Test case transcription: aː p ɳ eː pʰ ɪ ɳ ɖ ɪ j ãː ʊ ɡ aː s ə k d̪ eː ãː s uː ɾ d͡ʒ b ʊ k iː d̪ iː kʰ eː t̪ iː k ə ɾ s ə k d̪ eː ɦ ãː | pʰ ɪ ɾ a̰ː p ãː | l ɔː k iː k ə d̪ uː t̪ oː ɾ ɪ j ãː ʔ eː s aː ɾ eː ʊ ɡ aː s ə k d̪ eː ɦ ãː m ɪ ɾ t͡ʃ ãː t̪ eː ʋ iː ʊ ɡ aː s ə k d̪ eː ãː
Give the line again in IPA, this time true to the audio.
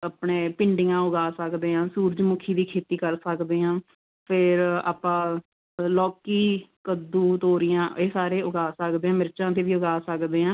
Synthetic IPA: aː p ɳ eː p ɪ ɳ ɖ ɪ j ãː ʊ ɡ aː s ə k d̪ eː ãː s uː ɾ d͡ʒ m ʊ kʰ iː d̪ iː kʰ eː t̪ iː k ə ɾ s ə k d̪ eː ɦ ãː | pʰ ɪ ɾ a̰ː p ãː | l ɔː k iː k ə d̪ uː t̪ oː ɾ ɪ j ãː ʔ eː s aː ɾ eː ʊ ɡ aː s ə k d̪ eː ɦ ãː m ɪ ɾ t͡ʃ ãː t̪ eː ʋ iː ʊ ɡ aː s ə k d̪ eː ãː